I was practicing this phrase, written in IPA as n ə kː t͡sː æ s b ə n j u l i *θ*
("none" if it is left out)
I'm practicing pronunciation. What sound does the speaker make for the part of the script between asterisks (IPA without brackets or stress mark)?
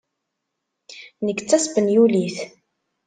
θ